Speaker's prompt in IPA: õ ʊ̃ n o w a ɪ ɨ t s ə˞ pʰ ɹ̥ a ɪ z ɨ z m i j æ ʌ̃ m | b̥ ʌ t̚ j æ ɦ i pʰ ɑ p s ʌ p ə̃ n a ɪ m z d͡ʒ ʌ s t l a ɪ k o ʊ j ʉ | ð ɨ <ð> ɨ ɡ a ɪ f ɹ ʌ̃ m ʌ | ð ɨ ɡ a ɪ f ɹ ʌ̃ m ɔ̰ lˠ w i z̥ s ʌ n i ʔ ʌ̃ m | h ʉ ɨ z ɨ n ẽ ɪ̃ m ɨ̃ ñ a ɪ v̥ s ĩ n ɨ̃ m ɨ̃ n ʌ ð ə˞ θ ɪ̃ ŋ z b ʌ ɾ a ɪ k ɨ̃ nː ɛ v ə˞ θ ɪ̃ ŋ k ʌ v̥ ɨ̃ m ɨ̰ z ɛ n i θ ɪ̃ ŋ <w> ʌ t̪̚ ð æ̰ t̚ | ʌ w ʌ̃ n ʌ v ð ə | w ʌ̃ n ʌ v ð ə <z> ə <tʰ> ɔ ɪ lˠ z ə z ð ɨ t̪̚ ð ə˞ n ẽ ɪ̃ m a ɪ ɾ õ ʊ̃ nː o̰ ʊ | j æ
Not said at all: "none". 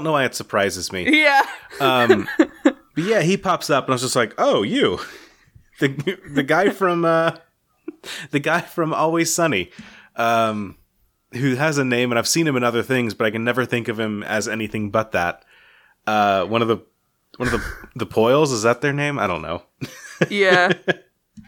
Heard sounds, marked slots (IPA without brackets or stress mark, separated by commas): ð, b, ð, pʰ